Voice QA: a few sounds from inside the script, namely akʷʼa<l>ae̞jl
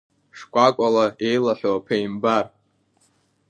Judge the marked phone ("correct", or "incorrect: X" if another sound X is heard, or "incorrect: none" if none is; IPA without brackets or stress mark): correct